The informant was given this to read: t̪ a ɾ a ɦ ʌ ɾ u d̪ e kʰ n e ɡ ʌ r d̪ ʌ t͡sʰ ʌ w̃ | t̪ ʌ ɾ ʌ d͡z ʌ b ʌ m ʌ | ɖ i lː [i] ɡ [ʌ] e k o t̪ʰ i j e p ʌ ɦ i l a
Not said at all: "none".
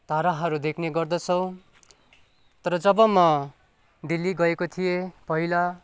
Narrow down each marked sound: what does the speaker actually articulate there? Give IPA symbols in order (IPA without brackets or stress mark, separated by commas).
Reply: i, ʌ